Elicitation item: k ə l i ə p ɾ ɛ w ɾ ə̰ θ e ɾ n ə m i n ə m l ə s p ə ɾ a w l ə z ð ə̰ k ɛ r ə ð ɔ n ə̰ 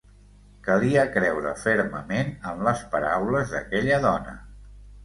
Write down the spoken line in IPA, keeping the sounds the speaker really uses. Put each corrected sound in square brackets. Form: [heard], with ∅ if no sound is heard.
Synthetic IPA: k ə l i ə [k] ɾ ɛ w ɾ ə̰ [f] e ɾ [m] ə m [e] n ə m l ə s p ə ɾ a w l ə z ð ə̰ k ɛ [ʎ] ə ð ɔ n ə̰